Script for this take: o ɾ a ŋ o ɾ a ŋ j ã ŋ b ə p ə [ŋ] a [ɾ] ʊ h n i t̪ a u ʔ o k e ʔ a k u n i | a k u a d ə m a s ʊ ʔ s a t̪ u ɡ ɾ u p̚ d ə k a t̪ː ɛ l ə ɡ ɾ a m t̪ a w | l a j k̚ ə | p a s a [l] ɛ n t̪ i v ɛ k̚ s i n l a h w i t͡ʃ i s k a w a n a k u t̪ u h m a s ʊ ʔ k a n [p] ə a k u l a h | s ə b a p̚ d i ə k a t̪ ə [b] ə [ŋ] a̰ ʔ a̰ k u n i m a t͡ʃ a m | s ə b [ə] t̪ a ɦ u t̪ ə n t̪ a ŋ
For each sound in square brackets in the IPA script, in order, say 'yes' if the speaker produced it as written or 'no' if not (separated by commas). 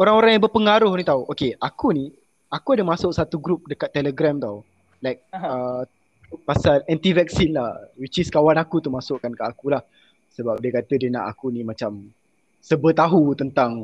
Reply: yes, yes, yes, no, no, no, yes